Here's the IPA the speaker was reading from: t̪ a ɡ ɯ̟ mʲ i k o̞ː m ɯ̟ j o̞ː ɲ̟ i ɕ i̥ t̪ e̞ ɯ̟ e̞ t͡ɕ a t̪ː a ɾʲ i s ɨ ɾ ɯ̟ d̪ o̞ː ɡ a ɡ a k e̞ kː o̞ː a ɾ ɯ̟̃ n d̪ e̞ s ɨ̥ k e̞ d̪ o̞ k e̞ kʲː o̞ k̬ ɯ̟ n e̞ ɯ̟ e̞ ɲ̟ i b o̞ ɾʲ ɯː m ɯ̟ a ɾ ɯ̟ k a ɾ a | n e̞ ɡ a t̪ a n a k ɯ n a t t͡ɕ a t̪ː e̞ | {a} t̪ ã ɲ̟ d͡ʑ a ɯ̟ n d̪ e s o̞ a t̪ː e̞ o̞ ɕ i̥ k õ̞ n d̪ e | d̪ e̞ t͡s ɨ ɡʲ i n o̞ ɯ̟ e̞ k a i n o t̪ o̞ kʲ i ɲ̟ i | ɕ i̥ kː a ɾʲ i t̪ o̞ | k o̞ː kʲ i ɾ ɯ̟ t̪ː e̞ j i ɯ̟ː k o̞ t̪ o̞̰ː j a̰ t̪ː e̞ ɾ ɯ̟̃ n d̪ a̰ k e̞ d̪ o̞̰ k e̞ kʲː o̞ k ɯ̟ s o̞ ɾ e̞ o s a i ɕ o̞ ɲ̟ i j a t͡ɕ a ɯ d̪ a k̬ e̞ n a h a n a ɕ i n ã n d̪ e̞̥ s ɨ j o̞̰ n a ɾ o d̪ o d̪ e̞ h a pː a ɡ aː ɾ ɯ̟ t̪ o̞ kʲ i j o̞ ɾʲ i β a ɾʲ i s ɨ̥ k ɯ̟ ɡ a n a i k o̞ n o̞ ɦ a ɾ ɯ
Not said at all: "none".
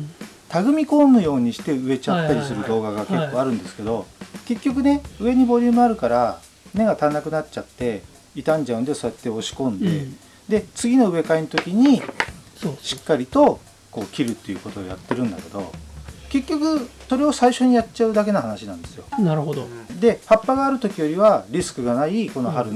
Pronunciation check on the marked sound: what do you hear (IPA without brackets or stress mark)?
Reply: i